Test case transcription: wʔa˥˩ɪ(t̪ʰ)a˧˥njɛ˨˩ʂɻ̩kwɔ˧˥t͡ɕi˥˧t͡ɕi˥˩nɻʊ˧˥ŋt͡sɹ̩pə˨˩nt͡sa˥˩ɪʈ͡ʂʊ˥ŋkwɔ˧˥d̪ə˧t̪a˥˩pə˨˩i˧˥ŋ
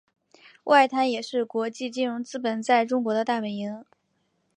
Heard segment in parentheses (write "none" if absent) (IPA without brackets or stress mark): t̪ʰ